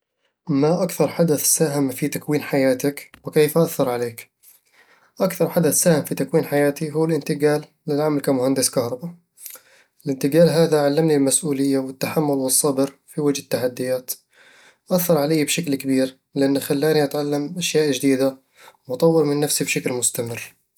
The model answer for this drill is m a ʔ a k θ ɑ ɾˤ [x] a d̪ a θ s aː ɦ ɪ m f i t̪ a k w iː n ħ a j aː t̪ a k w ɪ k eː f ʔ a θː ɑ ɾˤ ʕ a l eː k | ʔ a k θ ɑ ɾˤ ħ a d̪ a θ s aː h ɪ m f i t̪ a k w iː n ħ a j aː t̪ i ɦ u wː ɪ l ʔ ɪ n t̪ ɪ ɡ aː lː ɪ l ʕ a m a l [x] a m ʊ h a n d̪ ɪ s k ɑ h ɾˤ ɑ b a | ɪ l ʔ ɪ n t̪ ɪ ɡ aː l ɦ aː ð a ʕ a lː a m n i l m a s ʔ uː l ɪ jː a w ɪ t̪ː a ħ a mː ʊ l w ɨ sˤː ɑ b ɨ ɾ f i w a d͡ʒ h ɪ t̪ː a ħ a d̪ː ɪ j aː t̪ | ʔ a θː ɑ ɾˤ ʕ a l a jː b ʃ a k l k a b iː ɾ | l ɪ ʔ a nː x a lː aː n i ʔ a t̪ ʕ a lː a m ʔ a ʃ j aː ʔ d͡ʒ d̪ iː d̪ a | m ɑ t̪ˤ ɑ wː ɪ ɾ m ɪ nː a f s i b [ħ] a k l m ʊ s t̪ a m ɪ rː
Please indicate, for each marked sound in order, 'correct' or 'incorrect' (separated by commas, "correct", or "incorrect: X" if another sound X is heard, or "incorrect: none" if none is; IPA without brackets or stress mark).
incorrect: ħ, incorrect: k, incorrect: ʃ